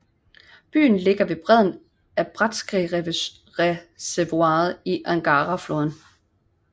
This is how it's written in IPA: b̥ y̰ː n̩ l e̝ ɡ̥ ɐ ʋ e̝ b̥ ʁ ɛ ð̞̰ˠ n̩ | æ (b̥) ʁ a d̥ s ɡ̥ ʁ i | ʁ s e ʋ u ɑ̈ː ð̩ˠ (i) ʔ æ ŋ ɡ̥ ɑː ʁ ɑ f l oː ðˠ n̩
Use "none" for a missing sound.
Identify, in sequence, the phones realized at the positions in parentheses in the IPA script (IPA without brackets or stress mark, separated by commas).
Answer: b̥, i